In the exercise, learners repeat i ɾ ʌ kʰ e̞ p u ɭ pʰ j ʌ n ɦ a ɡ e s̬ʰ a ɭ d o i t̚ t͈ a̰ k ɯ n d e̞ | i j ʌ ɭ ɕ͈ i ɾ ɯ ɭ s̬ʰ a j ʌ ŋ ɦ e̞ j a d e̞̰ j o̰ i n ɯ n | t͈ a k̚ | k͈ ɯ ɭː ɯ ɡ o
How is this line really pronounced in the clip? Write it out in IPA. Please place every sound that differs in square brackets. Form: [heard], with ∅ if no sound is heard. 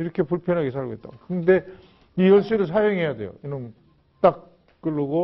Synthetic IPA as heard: i ɾ ʌ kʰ e̞ p u ɭ pʰ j ʌ n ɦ a ɡ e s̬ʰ a ɭ [ɡ] o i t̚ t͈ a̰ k ɯ n d e̞ | i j ʌ ɭ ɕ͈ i ɾ ɯ ɭ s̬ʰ a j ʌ ŋ ɦ e̞ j a d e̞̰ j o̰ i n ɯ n | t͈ a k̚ | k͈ ɯ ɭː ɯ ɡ o